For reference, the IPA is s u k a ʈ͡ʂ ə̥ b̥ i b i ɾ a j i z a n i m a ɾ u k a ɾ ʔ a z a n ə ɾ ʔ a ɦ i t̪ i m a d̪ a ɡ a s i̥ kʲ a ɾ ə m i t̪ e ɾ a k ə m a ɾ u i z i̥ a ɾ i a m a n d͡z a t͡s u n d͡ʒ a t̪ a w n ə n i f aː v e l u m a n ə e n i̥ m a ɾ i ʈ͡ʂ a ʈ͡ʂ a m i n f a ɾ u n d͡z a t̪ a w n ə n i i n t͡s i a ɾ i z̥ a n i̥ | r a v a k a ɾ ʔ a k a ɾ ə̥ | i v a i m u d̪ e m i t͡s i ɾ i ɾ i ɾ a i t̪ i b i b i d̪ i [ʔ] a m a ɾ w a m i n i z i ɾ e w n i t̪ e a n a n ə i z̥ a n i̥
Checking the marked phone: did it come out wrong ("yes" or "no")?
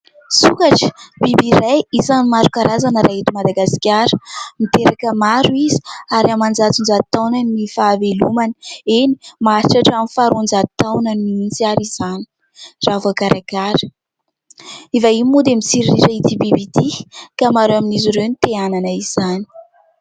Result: yes